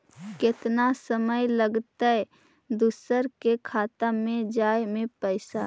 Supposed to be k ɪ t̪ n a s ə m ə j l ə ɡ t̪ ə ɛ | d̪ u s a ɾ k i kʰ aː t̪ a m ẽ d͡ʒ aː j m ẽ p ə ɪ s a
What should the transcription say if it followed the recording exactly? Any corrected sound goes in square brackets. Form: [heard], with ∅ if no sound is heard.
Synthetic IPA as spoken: k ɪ t̪ n a s ə m ə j l ə ɡ t̪ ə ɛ | d̪ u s [ə] ɾ k [e] kʰ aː t̪ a m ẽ d͡ʒ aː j m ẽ p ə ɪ s a